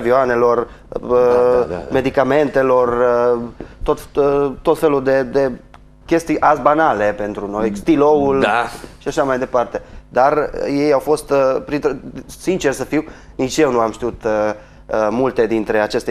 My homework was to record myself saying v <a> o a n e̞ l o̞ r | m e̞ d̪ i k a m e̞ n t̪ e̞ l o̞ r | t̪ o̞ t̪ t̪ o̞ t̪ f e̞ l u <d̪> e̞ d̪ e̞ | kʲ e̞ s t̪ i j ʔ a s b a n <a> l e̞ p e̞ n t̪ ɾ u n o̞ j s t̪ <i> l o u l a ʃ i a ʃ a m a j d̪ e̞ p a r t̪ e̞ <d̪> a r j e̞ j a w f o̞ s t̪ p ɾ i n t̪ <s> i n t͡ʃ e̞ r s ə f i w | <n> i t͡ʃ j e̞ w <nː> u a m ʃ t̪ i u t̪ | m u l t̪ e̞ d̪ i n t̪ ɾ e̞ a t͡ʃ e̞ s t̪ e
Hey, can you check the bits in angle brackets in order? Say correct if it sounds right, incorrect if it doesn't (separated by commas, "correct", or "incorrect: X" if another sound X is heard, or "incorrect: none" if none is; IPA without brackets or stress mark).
incorrect: i, correct, correct, correct, correct, correct, correct, incorrect: n